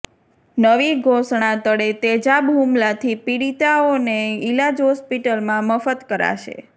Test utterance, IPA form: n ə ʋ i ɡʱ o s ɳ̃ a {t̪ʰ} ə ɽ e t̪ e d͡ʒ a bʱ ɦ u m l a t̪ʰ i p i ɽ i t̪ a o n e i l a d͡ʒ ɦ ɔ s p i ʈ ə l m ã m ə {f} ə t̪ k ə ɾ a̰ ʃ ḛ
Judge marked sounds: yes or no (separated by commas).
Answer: no, yes